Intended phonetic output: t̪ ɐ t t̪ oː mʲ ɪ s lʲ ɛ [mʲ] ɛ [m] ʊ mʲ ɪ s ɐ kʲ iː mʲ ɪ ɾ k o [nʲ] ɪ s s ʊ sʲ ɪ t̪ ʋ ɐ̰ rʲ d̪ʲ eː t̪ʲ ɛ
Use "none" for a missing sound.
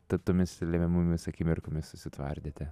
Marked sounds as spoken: mʲ, m, mʲ

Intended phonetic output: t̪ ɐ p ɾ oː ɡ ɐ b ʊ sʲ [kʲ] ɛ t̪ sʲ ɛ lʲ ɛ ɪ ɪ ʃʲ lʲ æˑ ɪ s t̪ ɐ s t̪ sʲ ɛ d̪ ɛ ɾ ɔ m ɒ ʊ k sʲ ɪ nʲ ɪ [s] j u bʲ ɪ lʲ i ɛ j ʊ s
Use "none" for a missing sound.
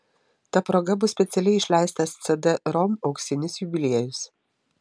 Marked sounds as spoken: pʲ, s

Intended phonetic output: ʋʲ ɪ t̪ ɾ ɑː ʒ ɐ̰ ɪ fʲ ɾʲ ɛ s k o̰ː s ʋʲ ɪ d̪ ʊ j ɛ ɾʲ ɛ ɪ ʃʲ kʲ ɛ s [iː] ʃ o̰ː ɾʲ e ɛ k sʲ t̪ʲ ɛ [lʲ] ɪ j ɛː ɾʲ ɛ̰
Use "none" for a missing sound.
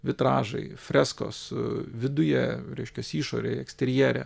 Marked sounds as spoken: iː, ɾʲ

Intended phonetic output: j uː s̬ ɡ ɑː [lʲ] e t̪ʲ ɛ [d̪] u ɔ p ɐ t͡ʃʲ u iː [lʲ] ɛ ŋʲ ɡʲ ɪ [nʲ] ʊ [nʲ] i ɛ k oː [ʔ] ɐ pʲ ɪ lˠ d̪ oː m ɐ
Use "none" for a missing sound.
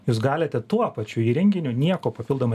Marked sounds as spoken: lʲ, t̪, ɾʲ, nʲ, nʲ, p

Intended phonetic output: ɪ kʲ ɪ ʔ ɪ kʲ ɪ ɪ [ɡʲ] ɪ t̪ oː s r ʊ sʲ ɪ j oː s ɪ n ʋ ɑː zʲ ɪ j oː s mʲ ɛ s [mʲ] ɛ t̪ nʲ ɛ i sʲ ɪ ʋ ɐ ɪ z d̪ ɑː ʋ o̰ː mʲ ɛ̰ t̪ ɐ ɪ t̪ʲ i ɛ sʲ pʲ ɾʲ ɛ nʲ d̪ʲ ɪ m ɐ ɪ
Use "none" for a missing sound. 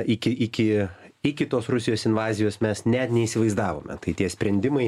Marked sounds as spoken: kʲ, nʲ

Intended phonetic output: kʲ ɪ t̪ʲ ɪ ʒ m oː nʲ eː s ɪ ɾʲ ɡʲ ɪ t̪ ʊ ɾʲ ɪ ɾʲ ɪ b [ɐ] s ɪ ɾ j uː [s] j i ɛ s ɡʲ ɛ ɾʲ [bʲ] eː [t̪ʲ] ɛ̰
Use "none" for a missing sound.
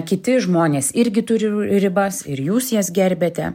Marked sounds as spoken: ɐ, s, bʲ, t̪ʲ

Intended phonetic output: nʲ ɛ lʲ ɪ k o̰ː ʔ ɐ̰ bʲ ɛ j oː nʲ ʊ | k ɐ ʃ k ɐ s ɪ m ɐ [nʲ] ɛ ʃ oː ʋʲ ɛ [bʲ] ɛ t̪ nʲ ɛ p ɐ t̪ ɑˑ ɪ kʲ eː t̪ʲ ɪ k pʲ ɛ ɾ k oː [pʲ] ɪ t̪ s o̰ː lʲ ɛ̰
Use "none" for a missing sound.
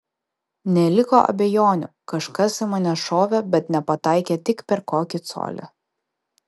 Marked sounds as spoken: nʲ, bʲ, kʲ

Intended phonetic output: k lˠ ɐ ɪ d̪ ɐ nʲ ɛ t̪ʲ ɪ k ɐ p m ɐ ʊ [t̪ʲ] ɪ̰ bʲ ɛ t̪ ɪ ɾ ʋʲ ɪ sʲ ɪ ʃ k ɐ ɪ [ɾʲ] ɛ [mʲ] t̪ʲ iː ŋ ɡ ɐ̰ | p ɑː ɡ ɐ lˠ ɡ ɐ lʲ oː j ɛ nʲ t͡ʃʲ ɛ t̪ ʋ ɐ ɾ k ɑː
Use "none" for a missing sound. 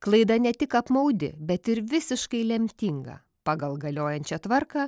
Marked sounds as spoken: d̪ʲ, lʲ, mʲ

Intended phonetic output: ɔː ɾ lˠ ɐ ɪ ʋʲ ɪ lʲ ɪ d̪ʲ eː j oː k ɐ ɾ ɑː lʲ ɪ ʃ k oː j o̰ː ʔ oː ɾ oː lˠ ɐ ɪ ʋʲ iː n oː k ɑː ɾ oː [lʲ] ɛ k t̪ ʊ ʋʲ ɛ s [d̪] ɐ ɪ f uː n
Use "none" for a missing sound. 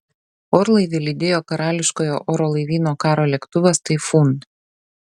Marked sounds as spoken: lʲ, t̪

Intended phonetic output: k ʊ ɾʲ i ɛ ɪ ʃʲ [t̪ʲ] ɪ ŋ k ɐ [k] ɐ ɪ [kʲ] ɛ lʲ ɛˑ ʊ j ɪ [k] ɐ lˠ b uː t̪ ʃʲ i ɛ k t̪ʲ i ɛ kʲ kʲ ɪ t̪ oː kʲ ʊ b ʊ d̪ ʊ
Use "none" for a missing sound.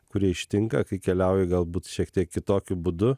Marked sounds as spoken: t̪ʲ, k, kʲ, ɡ

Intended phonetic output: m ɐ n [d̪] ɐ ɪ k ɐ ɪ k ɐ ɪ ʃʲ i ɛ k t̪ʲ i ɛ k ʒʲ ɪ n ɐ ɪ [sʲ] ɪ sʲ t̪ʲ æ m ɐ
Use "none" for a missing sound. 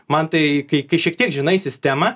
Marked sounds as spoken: t̪, sʲ

